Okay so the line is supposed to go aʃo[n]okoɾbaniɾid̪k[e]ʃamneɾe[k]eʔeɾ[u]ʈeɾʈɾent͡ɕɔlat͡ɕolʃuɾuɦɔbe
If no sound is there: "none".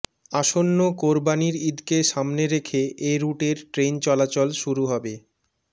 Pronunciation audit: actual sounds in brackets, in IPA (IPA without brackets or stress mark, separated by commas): nː, e, kʰ, u